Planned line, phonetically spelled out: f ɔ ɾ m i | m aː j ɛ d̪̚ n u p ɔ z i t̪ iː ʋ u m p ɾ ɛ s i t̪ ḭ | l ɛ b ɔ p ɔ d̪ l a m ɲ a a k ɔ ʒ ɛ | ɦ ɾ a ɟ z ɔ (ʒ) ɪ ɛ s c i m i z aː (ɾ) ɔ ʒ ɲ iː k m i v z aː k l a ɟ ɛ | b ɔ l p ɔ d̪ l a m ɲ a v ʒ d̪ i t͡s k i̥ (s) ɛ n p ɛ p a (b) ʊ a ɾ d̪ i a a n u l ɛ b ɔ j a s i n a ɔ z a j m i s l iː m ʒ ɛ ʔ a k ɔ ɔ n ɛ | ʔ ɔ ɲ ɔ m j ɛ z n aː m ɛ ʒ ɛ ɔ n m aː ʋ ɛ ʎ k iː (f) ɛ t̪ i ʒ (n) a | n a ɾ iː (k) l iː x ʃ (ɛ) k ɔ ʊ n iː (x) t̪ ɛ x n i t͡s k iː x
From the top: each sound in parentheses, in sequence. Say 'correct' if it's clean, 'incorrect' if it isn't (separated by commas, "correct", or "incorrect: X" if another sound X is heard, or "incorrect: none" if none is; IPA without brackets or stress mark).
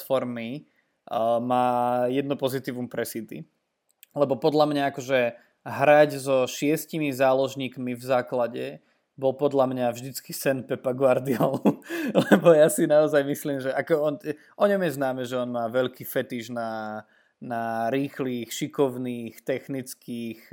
incorrect: ʃ, incorrect: l, correct, incorrect: ɡ, correct, correct, incorrect: x, incorrect: i, correct